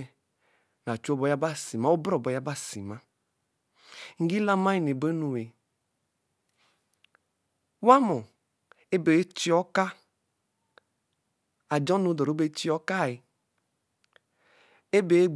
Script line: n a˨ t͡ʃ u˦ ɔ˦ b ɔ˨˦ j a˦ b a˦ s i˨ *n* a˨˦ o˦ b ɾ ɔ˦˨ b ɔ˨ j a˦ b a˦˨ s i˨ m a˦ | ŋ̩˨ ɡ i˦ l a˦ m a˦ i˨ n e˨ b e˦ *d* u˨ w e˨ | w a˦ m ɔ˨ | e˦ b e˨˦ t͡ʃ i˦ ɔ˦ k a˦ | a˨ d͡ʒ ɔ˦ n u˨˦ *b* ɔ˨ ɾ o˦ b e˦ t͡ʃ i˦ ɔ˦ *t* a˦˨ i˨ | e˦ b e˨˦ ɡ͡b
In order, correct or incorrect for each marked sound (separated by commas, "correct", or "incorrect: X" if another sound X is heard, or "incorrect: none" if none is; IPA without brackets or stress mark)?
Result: incorrect: m, incorrect: n, incorrect: d, incorrect: k